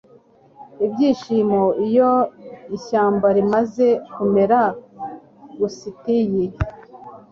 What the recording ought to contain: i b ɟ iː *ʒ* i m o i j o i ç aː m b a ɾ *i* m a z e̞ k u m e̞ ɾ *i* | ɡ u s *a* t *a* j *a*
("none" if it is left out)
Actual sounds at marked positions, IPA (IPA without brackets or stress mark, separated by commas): ʃ, i, a, i, i, i